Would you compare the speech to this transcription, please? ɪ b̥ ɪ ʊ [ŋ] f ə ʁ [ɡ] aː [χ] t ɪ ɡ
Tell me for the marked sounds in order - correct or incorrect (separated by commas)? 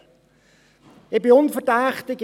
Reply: incorrect, incorrect, correct